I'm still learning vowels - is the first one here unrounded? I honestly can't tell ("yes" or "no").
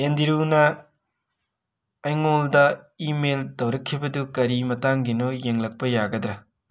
yes